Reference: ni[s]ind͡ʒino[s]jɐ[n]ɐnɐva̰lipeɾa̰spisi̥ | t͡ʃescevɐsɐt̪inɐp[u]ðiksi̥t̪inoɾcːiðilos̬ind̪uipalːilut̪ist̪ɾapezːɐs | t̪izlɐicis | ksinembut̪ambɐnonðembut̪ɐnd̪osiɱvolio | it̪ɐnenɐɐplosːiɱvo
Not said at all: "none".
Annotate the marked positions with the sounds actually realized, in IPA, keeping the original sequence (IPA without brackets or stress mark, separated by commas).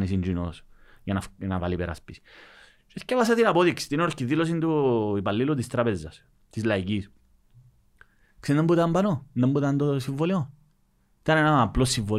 s, s, n, o